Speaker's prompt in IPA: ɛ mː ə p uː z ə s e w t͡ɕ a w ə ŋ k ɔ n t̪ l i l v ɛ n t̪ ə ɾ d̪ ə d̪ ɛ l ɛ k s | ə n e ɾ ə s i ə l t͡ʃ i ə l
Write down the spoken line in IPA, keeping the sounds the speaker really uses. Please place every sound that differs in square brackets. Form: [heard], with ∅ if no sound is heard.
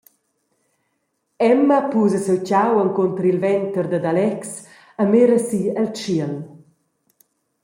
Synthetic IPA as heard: ɛ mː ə p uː z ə s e w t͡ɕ a w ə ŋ k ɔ n t̪ [ɾ] i l v ɛ n t̪ ə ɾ d̪ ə d̪ [a] l ɛ k s | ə [m] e ɾ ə s i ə l t͡ʃ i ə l

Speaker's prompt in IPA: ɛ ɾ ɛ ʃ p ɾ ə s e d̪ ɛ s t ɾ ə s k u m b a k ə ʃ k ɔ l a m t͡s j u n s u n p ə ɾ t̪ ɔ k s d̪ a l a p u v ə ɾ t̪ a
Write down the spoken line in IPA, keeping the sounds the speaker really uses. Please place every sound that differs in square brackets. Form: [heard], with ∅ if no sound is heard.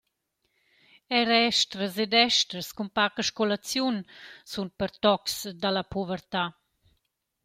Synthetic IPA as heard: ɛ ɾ ɛ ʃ [t] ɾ ə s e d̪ ɛ [ʃ] t ɾ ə s k u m [p] a k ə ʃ k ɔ l a [∅] t͡s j u n s u n p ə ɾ t̪ ɔ k s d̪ a l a p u v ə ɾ t̪ a

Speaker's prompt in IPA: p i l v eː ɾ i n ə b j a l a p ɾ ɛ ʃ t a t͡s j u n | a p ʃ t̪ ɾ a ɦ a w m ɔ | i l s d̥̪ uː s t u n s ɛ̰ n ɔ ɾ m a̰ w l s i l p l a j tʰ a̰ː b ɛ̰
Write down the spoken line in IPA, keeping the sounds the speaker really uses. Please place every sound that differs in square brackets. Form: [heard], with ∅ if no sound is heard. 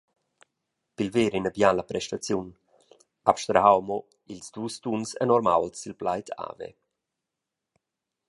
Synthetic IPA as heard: p i l v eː ɾ i n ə b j a l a p ɾ ɛ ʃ t a t͡s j u n | a p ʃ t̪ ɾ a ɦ a w m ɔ | i l s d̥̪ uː s t u n s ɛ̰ n ɔ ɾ m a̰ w l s i l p l a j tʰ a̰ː [v] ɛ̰

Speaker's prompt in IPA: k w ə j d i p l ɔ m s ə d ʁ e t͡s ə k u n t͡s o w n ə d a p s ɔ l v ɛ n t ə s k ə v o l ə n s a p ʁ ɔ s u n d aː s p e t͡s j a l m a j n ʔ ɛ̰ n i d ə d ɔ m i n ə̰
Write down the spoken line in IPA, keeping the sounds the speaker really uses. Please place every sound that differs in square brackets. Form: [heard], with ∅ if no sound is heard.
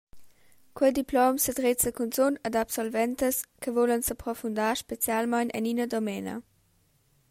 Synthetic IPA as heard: k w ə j d i p l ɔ m s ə d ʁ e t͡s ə k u n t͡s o [∅] n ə d a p s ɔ l v ɛ n t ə s k ə v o l ə n s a p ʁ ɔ [f] u n d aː [ʃ] p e t͡s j a l m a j n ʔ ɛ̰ n i [n] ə d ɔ m [ɛ] n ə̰

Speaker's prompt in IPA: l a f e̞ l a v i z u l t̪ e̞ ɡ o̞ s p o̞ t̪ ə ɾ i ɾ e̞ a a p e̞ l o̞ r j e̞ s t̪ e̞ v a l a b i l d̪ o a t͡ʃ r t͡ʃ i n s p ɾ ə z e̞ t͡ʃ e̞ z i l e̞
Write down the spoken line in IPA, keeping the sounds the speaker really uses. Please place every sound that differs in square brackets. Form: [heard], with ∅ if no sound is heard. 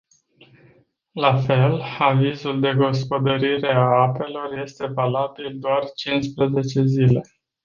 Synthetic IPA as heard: l a f e̞ l a v i z u l [d̪] e̞ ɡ o̞ s p o̞ [d̪] ə ɾ i ɾ e̞ a a p e̞ l o̞ r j e̞ s t̪ e̞ v a l a b i l d̪ o a [∅] r t͡ʃ i n s p ɾ ə z e̞ t͡ʃ e̞ z i l e̞

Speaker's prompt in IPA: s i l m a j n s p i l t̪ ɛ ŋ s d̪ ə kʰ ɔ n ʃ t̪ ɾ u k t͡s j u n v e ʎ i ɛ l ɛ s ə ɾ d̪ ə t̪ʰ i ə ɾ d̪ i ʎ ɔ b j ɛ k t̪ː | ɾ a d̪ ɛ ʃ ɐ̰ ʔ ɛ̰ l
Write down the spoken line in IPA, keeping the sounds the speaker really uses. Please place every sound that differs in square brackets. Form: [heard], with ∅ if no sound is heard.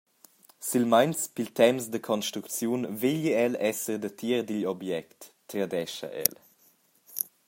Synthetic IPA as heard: s i l m a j n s p i l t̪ ɛ [m] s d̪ ə kʰ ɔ n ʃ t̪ ɾ u k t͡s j u n v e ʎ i ɛ l ɛ s ə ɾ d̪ ə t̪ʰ i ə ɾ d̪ i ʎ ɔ b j ɛ k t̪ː | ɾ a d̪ ɛ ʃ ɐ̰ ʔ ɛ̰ l

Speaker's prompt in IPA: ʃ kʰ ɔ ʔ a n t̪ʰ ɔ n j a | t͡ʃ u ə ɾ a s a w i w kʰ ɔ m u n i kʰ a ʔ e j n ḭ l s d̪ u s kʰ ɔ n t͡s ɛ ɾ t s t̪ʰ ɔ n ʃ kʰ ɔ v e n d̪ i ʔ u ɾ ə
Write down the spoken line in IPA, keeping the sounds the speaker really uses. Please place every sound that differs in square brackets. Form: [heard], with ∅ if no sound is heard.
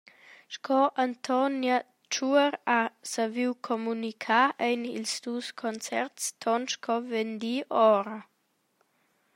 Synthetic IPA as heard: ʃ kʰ ɔ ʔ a n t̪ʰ ɔ n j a | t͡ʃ u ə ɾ a s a [v] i w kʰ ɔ m u n i kʰ a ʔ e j n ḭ l s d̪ u s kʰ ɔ n t͡s ɛ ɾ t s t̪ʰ ɔ n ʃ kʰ ɔ v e n d̪ i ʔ [ɔ] ɾ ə

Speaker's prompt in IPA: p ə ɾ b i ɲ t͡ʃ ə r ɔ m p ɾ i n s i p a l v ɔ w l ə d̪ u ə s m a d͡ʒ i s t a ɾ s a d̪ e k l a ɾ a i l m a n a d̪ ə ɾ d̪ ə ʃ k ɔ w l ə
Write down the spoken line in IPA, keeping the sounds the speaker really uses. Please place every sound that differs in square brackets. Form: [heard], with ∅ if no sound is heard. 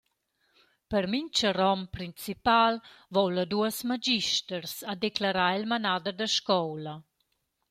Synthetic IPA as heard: p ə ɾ [m] i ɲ t͡ʃ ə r ɔ m p ɾ i n [t͡s] i p a l v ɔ w l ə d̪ u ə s m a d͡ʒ i [ʃ] t [ə] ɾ s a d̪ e k l a ɾ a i l m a n a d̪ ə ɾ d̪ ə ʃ k ɔ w l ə

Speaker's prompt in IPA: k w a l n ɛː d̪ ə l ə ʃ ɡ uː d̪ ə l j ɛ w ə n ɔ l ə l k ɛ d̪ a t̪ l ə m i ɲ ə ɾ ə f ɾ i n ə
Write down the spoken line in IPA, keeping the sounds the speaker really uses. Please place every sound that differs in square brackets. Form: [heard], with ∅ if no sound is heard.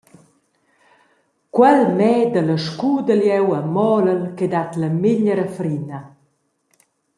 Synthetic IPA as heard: k w [ɛ] l [m] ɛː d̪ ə l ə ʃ [k] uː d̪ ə l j ɛ w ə [m] ɔ l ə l k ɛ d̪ a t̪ l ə m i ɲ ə ɾ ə f ɾ i n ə

